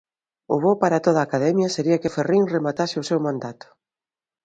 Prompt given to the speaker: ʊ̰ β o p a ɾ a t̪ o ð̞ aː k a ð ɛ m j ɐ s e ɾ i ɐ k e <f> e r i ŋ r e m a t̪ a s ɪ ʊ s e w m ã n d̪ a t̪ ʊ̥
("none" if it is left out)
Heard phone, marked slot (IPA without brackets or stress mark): f